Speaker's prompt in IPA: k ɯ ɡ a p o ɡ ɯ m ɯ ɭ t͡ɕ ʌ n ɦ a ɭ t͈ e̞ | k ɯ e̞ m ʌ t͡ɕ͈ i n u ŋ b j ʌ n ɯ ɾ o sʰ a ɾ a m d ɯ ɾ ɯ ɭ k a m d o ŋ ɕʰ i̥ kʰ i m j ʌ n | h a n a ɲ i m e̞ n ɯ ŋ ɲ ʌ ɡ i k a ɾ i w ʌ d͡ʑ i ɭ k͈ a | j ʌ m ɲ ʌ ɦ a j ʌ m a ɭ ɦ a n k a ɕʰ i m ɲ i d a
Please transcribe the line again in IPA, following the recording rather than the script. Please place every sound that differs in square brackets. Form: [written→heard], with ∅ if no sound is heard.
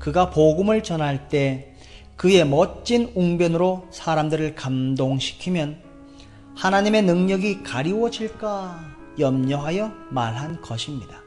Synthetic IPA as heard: k ɯ ɡ a p o ɡ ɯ m ɯ ɭ t͡ɕ ʌ n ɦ a ɭ t͈ e̞ | k ɯ e̞ m ʌ t͡ɕ͈ i n u ŋ b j ʌ n ɯ ɾ o sʰ a ɾ a m d ɯ ɾ ɯ ɭ k a m d o ŋ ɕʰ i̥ kʰ i m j ʌ n | h a n a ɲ i m e̞ n ɯ ŋ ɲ ʌ ɡ i k a ɾ i w ʌ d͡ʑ i ɭ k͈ a | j ʌ m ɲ ʌ ɦ a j ʌ m a ɭ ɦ a n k [a→ʌ] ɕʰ i m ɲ i d a